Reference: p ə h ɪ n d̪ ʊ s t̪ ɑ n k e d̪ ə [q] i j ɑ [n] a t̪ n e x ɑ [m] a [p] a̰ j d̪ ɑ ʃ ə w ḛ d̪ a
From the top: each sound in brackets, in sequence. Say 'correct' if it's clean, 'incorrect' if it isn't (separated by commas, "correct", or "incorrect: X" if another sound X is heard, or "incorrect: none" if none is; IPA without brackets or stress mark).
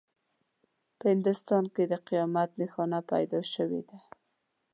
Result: correct, incorrect: m, incorrect: n, correct